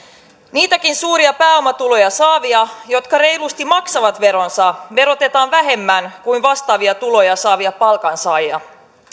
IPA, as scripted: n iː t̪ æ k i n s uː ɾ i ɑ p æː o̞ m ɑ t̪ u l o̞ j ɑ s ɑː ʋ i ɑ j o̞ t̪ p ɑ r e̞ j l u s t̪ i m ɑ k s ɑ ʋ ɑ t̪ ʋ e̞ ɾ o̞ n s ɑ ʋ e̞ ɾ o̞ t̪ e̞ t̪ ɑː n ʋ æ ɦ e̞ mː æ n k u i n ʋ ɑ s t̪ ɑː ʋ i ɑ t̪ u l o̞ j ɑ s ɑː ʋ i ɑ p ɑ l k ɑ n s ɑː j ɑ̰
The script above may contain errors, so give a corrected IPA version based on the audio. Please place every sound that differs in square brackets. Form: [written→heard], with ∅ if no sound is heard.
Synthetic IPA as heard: n iː t̪ æ k i n s uː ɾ i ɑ p æː o̞ m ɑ t̪ u l o̞ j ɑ s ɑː ʋ i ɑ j o̞ t̪ [p→k] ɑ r e̞ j l u s t̪ i m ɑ k s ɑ ʋ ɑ t̪ ʋ e̞ ɾ o̞ n s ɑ ʋ e̞ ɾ o̞ t̪ e̞ t̪ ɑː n ʋ æ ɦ e̞ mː æ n k u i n ʋ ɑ s t̪ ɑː ʋ i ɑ t̪ u l o̞ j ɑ s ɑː ʋ i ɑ p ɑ l k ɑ n s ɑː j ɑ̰

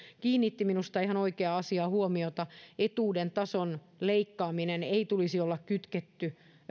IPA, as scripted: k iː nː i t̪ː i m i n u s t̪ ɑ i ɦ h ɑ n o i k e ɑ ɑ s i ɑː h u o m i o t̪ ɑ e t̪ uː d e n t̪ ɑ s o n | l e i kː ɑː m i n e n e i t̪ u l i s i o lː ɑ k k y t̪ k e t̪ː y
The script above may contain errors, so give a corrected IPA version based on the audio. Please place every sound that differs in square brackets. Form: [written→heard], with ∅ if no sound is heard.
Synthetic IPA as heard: k iː nː i t̪ː i m i n u s t̪ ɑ i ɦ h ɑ n o i k e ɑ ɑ s i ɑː h u o m i o t̪ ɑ e t̪ uː d e n t̪ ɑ s o n | l e i kː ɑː m i n e n e i t̪ u l i s i o lː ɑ k k y t̪ k e t̪ː y

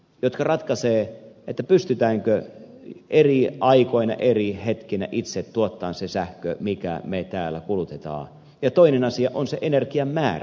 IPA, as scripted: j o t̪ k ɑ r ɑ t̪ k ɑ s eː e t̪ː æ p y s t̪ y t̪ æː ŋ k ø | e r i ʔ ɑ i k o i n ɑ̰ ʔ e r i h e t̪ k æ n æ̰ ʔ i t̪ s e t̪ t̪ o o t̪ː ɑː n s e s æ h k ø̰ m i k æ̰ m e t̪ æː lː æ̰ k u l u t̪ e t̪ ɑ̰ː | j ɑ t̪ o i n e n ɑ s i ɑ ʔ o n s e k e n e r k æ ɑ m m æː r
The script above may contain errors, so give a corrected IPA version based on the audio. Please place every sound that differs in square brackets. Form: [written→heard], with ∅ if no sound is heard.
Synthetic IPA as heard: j o t̪ k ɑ r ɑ t̪ k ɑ s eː e t̪ː æ p y s t̪ y t̪ æː ŋ k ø | e r i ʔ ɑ i k o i n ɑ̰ ʔ e r i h e t̪ k [æ→i] n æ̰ ʔ i t̪ s e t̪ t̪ [o→u] o t̪ː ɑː n s e s æ h k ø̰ m i k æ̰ m e t̪ æː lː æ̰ k u l u t̪ e t̪ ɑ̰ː | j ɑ t̪ o i n e n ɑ s i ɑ ʔ o n s e [k→ʔ] e n e r k [æ→i] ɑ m m æː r

